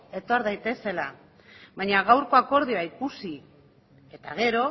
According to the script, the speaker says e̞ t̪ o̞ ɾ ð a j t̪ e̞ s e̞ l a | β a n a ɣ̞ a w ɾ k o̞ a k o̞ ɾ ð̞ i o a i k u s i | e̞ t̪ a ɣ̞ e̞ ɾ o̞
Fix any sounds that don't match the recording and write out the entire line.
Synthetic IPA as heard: e̞ t̪ o̞ ɾ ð a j t̪ e̞ s e̞ l a | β a ɲ a ɣ̞ a w ɾ k o̞ a k o̞ ɾ ð̞ i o a i k u s i | e̞ t̪ a ɣ̞ e̞ ɾ o̞